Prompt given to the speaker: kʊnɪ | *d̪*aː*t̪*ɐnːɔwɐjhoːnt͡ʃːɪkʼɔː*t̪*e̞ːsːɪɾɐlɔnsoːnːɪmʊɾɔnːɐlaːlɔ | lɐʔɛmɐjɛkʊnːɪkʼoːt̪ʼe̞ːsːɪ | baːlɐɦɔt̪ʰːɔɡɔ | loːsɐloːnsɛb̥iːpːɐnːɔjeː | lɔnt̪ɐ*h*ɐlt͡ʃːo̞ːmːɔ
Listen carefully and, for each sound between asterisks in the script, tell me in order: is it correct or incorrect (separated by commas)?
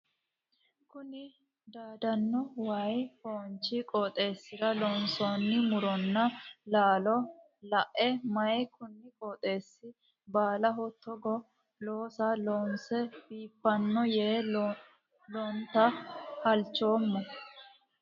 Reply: correct, incorrect, incorrect, correct